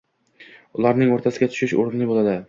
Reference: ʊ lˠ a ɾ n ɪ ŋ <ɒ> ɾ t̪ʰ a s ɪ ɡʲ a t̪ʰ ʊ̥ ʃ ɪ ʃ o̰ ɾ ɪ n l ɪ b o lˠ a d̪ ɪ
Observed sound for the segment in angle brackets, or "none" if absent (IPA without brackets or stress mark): o